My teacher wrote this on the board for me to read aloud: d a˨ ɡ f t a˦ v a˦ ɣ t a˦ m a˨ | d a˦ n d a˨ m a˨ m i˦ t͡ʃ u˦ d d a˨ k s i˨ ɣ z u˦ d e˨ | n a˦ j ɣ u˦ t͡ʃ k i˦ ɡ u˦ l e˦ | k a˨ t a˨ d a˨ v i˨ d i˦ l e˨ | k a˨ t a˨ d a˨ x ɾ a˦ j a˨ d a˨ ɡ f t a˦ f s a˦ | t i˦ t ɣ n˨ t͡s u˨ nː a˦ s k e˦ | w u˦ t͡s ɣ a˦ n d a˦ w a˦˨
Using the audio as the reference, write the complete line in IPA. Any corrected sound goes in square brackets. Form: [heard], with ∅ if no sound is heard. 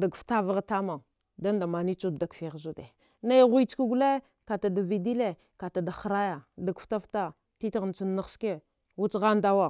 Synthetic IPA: d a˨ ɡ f t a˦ v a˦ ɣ t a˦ m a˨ | d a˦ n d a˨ m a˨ [n] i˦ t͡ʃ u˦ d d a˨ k [f] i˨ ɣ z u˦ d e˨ | n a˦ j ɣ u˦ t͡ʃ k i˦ ɡ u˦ l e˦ | k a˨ t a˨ d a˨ v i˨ d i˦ l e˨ | k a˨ t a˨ d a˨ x ɾ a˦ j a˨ d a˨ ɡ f t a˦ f [t] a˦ | t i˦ t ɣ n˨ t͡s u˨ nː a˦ s k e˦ | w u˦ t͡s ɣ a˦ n d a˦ w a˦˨